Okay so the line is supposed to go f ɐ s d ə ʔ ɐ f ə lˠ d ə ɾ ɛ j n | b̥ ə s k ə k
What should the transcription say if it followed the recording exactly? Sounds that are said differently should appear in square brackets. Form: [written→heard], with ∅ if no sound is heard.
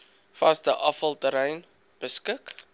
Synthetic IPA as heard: f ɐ s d ə ʔ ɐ f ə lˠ [d→t] ə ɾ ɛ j n | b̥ ə s k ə k